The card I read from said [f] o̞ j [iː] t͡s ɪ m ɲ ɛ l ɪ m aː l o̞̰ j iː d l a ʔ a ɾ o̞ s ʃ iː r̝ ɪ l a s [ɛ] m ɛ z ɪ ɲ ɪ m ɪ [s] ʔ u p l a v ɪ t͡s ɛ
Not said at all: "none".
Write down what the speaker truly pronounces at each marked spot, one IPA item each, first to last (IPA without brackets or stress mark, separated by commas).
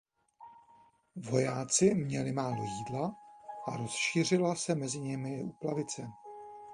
v, aː, ɛ, none